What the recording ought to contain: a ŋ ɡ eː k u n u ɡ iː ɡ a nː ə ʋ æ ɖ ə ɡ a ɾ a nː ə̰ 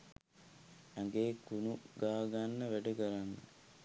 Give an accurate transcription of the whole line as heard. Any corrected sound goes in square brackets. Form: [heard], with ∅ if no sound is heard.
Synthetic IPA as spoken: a ŋ ɡ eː k u n u ɡ [aː] ɡ a nː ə ʋ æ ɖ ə ɡ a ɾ a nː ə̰